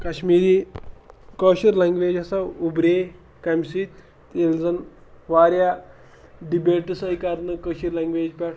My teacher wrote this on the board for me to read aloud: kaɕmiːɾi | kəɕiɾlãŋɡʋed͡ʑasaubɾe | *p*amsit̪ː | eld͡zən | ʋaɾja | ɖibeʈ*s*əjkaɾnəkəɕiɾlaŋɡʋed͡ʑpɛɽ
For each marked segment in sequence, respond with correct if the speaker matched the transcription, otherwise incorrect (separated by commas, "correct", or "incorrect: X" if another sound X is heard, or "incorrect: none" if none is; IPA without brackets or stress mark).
incorrect: k, correct